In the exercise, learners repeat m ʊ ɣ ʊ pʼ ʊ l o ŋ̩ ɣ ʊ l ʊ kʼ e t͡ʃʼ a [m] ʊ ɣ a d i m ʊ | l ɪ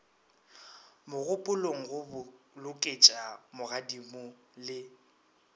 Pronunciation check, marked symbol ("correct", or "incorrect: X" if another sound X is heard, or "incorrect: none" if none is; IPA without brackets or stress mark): correct